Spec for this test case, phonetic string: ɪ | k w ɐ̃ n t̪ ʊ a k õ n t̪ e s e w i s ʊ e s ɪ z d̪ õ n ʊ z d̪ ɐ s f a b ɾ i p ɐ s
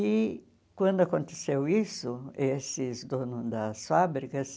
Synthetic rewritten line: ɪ | k w ɐ̃ n d̪ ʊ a k õ n t̪ e s e w i s ʊ e s ɪ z d̪ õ n ʊ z d̪ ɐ s f a b ɾ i k ɐ s